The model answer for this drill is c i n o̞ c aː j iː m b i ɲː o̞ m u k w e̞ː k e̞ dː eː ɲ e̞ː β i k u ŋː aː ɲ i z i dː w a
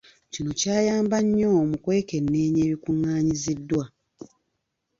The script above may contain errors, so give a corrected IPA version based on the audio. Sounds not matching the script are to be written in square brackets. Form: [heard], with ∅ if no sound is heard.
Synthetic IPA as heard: c i n o̞ c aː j [aː] m b [a] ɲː o̞ m u k w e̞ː k e̞ [nː] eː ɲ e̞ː β i k u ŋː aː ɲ i z i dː w a